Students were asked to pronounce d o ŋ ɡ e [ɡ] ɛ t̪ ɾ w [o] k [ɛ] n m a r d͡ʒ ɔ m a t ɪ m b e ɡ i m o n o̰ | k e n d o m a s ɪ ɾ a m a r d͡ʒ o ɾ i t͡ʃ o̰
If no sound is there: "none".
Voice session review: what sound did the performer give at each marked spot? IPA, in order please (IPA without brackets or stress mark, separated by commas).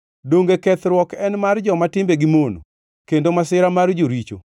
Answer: k, ɔ, ɛ